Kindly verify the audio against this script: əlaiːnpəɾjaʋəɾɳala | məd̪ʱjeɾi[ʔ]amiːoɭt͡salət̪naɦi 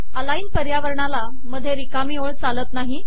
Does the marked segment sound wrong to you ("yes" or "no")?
yes